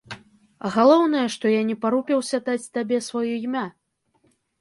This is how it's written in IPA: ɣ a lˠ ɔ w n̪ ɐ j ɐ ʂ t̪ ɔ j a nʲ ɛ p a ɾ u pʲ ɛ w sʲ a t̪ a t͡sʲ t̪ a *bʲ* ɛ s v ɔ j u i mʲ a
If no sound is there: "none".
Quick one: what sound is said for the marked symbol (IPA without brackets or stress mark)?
bʲ